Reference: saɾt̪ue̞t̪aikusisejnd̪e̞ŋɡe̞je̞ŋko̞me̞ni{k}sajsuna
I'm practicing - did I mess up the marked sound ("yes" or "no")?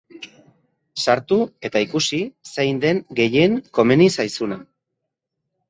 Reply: yes